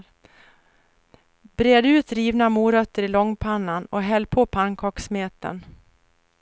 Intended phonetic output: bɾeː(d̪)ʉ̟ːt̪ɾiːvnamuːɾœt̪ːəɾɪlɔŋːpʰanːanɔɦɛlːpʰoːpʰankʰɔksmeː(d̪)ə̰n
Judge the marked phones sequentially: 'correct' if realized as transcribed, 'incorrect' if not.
correct, incorrect: t̪

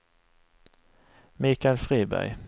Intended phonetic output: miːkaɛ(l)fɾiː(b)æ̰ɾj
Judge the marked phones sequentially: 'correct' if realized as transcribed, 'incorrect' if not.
correct, correct

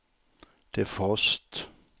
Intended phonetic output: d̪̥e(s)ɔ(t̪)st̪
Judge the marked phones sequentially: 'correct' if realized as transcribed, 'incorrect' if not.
incorrect: f, incorrect: none

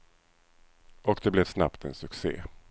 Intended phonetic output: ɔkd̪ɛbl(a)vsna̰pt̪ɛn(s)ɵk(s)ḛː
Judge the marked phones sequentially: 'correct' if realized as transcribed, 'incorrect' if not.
incorrect: ɛ, correct, correct

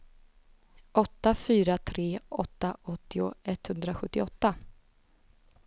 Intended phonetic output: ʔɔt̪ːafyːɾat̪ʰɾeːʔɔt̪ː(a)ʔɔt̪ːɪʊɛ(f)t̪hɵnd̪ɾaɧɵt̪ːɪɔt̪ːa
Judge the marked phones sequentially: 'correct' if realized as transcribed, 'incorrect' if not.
correct, incorrect: none

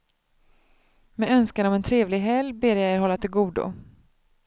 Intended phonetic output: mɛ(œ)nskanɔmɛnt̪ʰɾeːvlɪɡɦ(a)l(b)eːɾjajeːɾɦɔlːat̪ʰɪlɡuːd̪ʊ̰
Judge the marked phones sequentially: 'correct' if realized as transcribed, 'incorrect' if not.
correct, incorrect: ɛ, correct

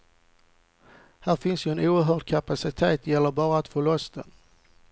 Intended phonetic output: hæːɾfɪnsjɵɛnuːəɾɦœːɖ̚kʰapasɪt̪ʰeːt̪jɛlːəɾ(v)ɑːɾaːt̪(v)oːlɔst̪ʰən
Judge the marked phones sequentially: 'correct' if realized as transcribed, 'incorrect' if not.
incorrect: b, incorrect: f

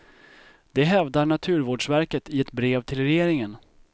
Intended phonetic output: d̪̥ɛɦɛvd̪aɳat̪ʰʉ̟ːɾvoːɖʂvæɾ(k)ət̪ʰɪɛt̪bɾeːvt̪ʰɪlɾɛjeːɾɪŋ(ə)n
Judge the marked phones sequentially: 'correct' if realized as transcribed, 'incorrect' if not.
correct, correct

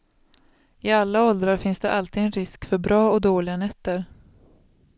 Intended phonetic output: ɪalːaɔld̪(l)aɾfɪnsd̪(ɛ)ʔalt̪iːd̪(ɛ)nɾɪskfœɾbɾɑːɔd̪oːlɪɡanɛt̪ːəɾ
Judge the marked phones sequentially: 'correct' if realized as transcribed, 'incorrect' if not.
incorrect: ɾ, correct, correct

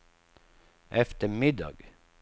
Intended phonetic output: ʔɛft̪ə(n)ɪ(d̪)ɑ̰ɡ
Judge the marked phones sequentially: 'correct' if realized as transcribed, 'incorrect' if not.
incorrect: m, correct

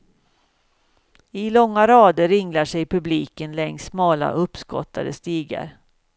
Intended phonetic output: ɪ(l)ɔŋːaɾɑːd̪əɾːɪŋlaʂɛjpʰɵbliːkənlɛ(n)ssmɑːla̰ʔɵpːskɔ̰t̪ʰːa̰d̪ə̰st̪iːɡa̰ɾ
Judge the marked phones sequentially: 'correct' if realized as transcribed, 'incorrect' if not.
correct, incorrect: ŋ

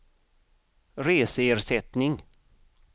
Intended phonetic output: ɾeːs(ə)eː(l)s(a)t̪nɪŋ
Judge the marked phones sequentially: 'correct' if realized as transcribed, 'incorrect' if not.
correct, incorrect: ɾ, incorrect: ɛ

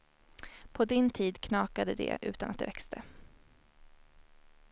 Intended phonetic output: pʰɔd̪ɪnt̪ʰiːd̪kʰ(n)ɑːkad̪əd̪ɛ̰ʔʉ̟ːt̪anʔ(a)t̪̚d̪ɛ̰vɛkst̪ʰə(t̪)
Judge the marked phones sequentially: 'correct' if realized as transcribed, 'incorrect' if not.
correct, correct, incorrect: none

